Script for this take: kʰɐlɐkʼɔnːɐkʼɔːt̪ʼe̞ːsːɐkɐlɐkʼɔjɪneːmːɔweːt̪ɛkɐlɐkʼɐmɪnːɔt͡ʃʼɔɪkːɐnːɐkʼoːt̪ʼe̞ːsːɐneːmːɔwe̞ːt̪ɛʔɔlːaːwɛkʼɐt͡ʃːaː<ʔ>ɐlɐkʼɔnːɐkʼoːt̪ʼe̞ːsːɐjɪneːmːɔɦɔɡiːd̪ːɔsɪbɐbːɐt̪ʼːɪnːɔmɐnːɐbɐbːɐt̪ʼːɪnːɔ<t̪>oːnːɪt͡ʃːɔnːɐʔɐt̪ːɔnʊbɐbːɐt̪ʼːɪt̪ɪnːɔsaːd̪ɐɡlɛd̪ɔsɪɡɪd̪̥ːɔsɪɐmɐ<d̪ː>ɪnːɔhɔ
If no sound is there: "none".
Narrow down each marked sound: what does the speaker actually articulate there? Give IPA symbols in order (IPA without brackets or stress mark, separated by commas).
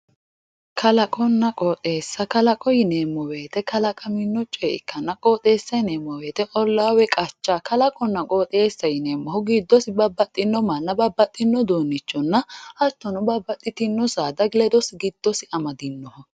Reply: k, d̪, d̪